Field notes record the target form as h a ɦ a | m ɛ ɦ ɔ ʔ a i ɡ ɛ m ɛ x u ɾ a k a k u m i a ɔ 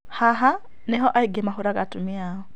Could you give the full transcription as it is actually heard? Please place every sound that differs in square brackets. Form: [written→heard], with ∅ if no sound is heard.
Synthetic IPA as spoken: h a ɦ a | [m→n] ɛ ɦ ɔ ʔ a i ɡ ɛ m [ɛ→a] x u ɾ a k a [k→t] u m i a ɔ